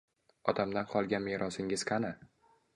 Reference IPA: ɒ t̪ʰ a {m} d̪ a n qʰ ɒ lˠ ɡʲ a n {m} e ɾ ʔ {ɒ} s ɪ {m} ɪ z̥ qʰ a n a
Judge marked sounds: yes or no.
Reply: yes, yes, yes, no

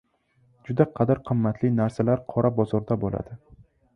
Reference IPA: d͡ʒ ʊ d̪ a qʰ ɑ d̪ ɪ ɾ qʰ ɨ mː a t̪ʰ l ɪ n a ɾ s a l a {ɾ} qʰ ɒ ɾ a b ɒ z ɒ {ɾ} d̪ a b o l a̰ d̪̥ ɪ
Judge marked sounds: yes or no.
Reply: yes, yes

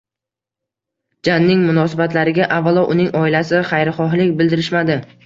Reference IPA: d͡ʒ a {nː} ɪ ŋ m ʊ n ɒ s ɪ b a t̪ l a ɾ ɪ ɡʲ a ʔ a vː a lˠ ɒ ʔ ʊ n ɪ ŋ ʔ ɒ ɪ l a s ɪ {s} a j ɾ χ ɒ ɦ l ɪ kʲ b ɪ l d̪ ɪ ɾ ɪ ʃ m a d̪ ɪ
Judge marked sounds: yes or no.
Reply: yes, no

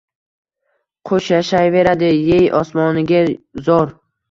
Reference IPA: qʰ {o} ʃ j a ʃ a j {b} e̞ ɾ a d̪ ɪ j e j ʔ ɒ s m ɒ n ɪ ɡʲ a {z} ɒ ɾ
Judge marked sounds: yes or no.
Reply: yes, no, yes

